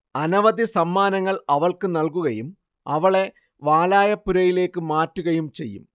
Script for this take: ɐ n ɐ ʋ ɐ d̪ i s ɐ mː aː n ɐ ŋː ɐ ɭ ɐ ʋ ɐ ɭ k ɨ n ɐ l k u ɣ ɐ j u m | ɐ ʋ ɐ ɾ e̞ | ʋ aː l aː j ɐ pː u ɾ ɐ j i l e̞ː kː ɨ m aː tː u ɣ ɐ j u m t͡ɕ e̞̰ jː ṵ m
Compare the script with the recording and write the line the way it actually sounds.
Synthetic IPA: ɐ n ɐ ʋ ɐ d̪ i s ɐ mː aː n ɐ ŋː ɐ ɭ ɐ ʋ ɐ ɭ k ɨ n ɐ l k u ɣ ɐ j u m | ɐ ʋ ɐ ɭ e̞ | ʋ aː l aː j ɐ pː u ɾ ɐ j i l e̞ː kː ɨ m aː tː u ɣ ɐ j u m t͡ɕ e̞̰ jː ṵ m